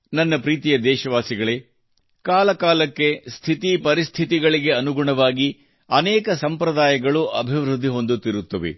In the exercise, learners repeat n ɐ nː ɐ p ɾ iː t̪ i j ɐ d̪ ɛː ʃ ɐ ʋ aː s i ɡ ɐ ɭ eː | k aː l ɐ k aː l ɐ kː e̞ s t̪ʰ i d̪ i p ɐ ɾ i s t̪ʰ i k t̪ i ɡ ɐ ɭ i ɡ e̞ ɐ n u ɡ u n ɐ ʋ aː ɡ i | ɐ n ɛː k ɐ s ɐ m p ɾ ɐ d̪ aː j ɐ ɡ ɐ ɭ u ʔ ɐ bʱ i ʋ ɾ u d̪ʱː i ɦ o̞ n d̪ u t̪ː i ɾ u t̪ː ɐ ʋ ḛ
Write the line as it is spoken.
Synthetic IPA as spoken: n ɐ nː ɐ p ɾ iː t̪ i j ɐ d̪ ɛː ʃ ɐ ʋ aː s i ɡ ɐ ɭ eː | k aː l ɐ k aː l ɐ kː e̞ s t̪ʰ i t̪ i p ɐ ɾ i s t̪ʰ i t̪ i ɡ ɐ ɭ i ɡ e̞ ɐ n u ɡ u ɳ ɐ ʋ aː ɡ i | ɐ n ɛː k ɐ s ɐ m p ɾ ɐ d̪ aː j ɐ ɡ ɐ ɭ u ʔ ɐ bʱ i ʋ ɾ u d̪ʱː i ɦ o̞ n d̪ u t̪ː i ɾ u t̪ː ɐ ʋ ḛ